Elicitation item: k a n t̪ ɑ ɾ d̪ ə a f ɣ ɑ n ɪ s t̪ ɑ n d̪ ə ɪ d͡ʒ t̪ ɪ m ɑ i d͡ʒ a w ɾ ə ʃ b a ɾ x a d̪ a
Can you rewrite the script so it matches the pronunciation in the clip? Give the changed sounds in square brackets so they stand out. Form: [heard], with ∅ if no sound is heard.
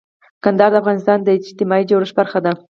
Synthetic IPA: k a n [d̪] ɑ ɾ d̪ ə a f ɣ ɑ n ɪ s t̪ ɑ n d̪ ə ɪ d͡ʒ t̪ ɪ m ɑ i d͡ʒ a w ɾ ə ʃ b a ɾ x a d̪ a